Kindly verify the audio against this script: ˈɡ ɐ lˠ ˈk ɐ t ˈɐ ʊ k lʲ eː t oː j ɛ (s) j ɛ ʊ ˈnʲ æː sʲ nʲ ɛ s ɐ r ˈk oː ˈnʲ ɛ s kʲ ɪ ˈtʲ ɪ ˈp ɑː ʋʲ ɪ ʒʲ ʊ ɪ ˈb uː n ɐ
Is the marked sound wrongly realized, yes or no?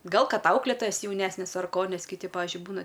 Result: no